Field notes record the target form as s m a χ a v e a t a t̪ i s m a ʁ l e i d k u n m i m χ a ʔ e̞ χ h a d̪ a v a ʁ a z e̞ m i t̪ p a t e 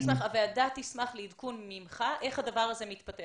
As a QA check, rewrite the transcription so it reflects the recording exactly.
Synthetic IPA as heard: s m a χ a v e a d a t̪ i s m a χ l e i d k u n m i m χ a ʔ e̞ χ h a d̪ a v a ʁ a z e̞ m i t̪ p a t e